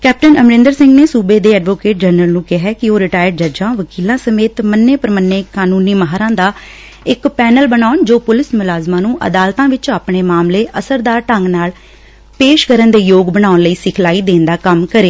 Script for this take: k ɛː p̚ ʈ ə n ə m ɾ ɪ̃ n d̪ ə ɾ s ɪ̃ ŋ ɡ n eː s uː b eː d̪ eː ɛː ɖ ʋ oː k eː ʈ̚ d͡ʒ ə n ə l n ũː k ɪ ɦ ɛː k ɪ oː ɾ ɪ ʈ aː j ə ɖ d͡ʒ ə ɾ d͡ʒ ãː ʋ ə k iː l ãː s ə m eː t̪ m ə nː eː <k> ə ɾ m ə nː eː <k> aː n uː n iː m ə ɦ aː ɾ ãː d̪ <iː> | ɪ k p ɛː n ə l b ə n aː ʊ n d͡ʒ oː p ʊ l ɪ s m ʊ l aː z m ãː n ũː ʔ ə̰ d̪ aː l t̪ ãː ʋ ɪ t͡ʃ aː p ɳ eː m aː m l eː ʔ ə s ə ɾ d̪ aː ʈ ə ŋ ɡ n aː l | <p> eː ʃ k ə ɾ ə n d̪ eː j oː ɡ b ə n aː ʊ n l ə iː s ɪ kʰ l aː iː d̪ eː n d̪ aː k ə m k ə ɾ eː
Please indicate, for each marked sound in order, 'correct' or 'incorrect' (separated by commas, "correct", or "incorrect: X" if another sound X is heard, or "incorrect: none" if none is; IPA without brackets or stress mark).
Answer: incorrect: p, correct, incorrect: aː, correct